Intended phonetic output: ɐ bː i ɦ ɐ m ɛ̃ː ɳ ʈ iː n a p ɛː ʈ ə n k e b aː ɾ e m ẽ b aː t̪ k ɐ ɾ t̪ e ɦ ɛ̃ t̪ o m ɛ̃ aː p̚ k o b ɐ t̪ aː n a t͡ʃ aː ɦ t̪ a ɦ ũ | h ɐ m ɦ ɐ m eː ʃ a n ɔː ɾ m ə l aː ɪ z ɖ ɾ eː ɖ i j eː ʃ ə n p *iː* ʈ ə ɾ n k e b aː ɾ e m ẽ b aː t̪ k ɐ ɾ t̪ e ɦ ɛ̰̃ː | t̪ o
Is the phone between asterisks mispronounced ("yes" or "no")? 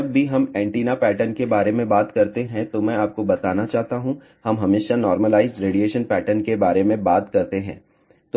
yes